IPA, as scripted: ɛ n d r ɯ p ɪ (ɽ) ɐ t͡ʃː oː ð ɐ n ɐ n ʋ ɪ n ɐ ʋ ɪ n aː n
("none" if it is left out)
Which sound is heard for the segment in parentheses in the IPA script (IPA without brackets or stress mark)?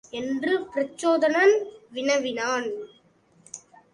ɾ